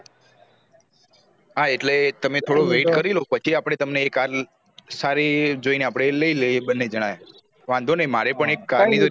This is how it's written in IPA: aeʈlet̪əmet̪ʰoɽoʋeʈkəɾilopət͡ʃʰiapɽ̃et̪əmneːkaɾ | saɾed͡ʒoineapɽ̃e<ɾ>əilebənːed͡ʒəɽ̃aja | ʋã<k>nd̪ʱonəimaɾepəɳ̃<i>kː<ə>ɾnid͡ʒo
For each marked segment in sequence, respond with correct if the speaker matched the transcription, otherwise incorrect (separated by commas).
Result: incorrect, incorrect, incorrect, incorrect